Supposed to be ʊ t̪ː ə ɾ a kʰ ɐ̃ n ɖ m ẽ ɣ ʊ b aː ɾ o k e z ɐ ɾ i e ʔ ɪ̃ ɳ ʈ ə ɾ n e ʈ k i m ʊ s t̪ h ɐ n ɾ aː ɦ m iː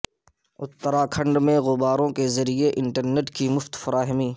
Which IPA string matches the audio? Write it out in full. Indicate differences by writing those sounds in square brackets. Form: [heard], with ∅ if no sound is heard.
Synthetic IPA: ʊ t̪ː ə ɾ a kʰ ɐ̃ [ɳ] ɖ m ẽ ɣ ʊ b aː ɾ [õ] k e z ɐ ɾ i e ʔ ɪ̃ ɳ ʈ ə ɾ n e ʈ k i m ʊ [f] t̪ [f] ɐ [∅] ɾ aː ɦ m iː